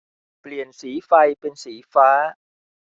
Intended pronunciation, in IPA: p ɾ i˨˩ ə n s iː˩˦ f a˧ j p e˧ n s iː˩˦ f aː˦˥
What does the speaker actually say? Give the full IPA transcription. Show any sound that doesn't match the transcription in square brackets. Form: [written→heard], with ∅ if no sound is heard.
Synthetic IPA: p [ɾ→l] i˨˩ ə n s iː˩˦ f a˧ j p e˧ n s iː˩˦ f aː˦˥